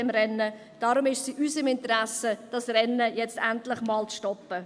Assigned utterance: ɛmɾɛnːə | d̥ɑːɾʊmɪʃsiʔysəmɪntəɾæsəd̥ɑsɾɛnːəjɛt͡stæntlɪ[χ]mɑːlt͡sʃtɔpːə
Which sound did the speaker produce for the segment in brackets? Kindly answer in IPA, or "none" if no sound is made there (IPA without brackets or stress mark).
χ